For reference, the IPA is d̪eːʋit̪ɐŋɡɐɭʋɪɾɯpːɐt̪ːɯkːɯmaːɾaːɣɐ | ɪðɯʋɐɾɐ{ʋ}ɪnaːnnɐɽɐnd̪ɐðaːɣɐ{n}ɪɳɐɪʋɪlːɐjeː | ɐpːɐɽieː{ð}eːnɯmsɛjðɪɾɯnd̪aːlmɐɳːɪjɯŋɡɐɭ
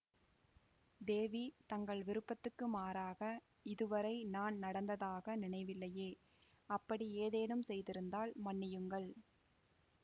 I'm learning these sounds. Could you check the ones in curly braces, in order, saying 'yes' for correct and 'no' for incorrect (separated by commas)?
no, yes, yes